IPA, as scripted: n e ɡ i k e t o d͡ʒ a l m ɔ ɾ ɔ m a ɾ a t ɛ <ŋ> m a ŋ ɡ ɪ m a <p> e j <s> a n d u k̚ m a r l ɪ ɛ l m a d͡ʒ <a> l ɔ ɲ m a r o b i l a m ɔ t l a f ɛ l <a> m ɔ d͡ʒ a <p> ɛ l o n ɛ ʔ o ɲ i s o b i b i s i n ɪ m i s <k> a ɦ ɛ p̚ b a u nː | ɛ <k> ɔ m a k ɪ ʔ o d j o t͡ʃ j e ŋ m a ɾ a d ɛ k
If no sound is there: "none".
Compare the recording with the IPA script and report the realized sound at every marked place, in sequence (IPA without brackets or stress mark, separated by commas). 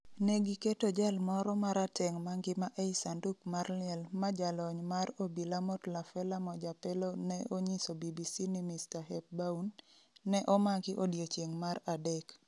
ŋ, ʔ, s, a, a, p, t, ʔ